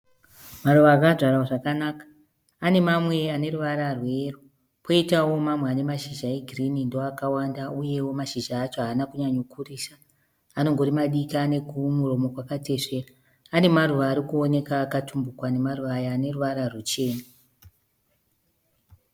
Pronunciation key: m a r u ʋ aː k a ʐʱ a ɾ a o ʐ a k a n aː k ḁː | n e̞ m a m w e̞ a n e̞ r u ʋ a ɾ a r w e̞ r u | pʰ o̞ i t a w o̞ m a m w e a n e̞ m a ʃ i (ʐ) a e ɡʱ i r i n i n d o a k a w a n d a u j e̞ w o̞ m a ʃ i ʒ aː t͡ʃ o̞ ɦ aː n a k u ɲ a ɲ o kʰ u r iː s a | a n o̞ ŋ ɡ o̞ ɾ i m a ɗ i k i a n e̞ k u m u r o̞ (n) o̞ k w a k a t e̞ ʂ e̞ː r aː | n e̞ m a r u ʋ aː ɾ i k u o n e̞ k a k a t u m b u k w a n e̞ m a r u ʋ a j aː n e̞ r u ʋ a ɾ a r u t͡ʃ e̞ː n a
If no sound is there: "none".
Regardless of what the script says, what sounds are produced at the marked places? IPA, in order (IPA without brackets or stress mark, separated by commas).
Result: ʒ, m